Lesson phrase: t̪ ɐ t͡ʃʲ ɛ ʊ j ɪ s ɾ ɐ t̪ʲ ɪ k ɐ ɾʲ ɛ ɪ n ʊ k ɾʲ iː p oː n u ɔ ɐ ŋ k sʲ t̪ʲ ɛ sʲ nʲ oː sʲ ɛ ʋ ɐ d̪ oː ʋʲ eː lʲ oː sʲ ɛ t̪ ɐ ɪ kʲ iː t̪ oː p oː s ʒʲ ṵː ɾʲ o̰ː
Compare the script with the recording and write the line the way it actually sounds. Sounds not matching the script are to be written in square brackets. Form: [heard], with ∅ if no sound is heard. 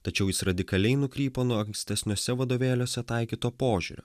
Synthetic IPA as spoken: t̪ ɐ t͡ʃʲ ɛ ʊ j ɪ s ɾ ɐ [d̪ʲ] ɪ k ɐ [lʲ] ɛ ɪ n ʊ k ɾʲ iː p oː n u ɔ ɐ ŋ k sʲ t̪ʲ ɛ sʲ nʲ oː sʲ ɛ ʋ ɐ d̪ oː ʋʲ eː lʲ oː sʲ ɛ t̪ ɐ ɪ kʲ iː t̪ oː p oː [∅] ʒʲ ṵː ɾʲ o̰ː